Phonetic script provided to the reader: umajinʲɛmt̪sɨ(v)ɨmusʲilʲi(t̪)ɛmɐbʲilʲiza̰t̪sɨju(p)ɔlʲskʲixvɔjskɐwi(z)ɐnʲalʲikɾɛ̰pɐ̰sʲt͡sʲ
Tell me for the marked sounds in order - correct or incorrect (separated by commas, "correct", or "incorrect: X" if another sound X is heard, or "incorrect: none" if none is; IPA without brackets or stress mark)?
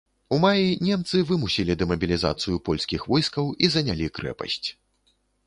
correct, incorrect: d̪, correct, correct